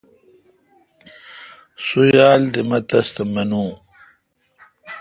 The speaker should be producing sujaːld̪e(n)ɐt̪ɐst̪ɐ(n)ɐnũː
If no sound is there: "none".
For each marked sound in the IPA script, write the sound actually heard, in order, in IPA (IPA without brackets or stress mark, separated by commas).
m, m